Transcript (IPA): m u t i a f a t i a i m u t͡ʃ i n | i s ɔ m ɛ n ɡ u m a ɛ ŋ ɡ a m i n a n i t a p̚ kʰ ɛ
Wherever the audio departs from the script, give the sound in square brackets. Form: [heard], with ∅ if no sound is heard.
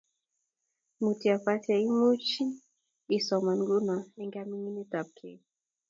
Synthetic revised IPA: m u t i a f a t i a i m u t͡ʃ i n | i s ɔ m [a] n ɡ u [n] a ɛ ŋ ɡ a m i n [i] n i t a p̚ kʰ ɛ